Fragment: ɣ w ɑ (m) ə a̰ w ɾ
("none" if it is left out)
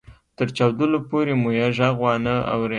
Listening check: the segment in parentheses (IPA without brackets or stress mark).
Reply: n